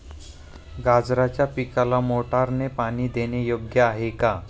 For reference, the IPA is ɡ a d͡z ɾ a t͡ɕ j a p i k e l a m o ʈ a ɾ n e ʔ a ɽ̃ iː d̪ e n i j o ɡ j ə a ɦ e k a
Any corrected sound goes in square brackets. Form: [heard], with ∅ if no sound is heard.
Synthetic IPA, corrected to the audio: ɡ a d͡z ɾ a t͡ɕ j a p i k [a] l a m o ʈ a ɾ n e [p] a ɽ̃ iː d̪ e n [e] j o ɡ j ə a ɦ e k a